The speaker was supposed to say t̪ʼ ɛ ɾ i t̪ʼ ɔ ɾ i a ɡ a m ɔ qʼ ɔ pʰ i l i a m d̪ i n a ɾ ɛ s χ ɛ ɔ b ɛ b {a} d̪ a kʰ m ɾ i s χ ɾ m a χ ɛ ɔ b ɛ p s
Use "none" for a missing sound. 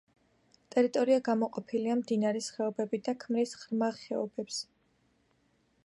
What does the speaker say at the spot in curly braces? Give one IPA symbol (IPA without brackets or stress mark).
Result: i